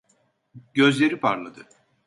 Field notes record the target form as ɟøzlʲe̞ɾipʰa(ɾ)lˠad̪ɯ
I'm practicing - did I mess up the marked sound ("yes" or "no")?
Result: no